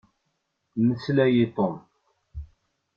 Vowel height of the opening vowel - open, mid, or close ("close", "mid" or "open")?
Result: mid